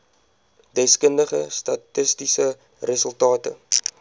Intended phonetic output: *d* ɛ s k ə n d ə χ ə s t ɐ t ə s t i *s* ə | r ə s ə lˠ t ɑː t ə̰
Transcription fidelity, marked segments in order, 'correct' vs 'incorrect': correct, correct

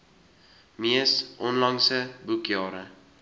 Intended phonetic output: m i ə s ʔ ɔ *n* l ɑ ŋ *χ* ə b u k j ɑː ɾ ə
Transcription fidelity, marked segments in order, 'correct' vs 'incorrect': correct, incorrect

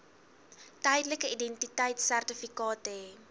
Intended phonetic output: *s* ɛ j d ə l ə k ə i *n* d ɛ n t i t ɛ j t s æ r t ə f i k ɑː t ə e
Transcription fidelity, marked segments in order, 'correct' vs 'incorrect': incorrect, incorrect

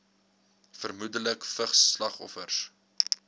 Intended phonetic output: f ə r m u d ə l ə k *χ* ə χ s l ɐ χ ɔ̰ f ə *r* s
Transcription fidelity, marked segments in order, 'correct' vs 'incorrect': incorrect, correct

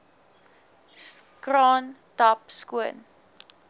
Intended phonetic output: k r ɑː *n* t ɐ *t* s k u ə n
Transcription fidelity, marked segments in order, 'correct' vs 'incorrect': correct, incorrect

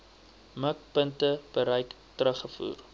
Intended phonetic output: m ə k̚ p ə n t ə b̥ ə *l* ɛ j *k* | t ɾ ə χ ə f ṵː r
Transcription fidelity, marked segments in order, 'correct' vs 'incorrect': incorrect, correct

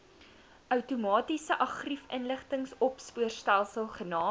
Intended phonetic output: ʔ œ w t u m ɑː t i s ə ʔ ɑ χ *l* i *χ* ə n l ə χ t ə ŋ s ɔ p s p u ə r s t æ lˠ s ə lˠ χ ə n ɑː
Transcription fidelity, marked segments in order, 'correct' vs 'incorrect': incorrect, incorrect

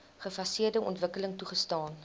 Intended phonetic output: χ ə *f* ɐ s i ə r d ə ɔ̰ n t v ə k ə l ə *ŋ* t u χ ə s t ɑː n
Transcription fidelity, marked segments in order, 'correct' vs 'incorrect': correct, correct

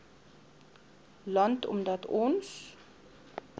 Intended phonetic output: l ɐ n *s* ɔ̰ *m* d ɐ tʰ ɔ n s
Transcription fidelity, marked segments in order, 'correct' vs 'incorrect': incorrect, correct

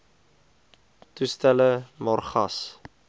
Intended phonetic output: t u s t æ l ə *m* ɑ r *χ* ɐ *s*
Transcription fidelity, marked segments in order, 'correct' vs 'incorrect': correct, correct, correct

